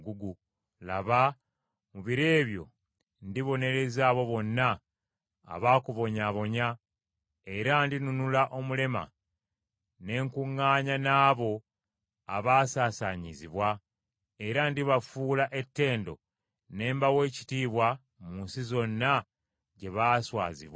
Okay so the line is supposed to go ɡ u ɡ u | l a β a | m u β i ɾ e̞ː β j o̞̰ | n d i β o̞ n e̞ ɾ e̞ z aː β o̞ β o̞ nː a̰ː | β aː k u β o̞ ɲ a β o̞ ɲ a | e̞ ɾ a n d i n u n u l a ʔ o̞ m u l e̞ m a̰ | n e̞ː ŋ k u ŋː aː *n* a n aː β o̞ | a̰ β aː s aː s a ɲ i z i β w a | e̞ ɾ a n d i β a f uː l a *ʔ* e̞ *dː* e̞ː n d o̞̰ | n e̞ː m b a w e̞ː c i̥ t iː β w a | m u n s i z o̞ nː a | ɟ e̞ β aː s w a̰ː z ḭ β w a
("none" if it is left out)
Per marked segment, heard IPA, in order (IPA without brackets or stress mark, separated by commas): ɲ, ʔ, tː